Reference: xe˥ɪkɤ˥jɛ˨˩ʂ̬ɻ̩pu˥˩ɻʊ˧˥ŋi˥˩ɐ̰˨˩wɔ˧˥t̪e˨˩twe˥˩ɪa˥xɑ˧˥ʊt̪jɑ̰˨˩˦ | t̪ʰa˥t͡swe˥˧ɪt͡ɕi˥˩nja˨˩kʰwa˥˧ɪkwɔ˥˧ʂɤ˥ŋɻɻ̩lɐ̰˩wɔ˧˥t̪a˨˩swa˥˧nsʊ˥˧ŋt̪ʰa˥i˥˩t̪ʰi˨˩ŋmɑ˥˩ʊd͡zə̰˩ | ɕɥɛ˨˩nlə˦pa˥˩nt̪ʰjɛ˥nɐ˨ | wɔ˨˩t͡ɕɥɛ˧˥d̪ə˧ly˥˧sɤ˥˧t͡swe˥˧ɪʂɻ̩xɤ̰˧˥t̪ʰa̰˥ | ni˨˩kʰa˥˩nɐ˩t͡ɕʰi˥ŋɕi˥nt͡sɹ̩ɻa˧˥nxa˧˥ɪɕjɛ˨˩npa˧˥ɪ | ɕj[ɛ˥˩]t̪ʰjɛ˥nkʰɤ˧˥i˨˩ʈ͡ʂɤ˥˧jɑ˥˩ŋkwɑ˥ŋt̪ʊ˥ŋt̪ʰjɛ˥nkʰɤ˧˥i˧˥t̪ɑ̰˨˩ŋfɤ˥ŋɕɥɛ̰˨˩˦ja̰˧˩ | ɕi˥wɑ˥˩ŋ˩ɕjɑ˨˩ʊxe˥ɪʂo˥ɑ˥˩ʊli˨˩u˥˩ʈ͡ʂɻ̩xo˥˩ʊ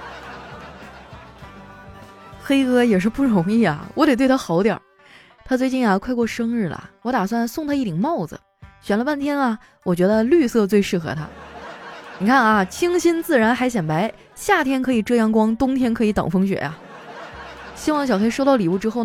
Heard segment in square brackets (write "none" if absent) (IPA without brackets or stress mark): a˥˩